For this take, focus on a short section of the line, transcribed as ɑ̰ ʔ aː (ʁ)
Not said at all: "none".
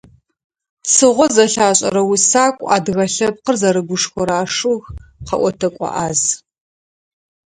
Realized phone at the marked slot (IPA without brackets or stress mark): z